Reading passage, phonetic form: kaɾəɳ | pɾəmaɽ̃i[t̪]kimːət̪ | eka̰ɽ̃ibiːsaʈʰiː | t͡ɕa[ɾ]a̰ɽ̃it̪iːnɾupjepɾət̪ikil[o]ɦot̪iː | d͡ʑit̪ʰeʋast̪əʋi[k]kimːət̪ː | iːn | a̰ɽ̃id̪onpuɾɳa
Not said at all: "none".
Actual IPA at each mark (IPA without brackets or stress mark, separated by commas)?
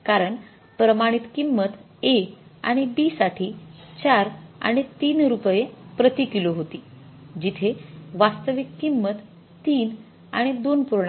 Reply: t̪, ɾ, o, k